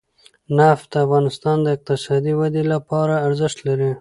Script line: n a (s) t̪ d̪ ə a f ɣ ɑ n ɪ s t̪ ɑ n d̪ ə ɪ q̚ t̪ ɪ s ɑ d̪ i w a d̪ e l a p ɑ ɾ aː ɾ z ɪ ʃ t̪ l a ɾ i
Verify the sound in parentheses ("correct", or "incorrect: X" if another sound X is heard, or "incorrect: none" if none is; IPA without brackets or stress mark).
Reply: incorrect: f